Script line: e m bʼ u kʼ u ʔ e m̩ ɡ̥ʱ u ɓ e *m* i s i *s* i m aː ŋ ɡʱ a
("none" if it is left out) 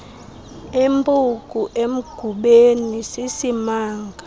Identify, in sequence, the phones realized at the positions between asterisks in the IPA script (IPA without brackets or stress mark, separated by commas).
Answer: n, s